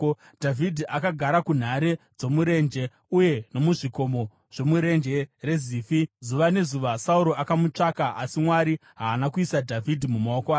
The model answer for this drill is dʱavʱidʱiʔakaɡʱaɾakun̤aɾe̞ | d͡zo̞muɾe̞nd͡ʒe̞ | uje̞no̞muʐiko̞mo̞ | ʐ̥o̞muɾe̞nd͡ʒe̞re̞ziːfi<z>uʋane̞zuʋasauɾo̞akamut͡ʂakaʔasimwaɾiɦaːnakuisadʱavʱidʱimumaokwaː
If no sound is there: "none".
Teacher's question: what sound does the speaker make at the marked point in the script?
z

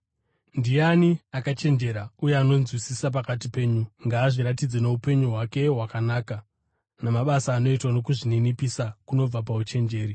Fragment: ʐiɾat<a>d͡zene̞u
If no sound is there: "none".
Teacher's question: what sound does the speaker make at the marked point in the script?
i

